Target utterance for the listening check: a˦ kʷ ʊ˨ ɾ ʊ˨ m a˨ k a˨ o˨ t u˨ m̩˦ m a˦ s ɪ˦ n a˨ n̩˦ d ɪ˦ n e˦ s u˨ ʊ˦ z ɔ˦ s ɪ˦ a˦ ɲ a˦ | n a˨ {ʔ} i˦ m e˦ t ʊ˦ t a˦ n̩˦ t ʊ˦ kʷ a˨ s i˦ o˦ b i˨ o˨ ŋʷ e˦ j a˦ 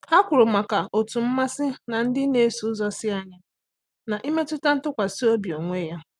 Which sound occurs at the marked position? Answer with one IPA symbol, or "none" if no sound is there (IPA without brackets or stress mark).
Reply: ʔ